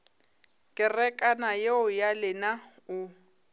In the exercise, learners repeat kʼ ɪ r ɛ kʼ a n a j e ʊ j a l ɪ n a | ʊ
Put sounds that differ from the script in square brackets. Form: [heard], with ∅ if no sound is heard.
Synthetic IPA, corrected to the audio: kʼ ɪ r ɛ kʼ a n a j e ʊ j a l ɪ n a | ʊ